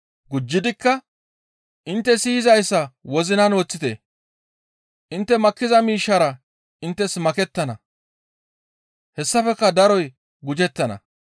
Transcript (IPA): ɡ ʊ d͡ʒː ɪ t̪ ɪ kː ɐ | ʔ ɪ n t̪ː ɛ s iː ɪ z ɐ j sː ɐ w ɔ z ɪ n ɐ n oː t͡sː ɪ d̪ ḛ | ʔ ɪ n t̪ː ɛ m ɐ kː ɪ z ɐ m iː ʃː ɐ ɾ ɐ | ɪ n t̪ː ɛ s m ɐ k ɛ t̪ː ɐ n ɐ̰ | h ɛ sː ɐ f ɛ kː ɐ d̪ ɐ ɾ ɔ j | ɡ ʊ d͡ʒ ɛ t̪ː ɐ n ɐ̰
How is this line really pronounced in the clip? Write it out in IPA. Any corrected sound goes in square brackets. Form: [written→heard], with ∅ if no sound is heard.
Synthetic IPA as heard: ɡ ʊ d͡ʒː ɪ [t̪→d̪] ɪ kː ɐ | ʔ ɪ n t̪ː ɛ s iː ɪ z ɐ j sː ɐ w ɔ z ɪ n ɐ n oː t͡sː ɪ [d̪→t̪] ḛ | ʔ ɪ n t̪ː ɛ m ɐ kː ɪ z ɐ m iː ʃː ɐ ɾ ɐ | ɪ n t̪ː ɛ s m ɐ k ɛ t̪ː ɐ n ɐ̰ | h ɛ sː ɐ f ɛ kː ɐ d̪ ɐ ɾ ɔ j | ɡ ʊ d͡ʒ ɛ t̪ː ɐ n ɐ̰